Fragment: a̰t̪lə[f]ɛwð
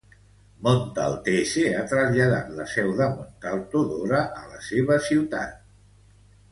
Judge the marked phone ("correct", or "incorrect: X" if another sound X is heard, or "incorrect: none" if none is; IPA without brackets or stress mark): incorrect: s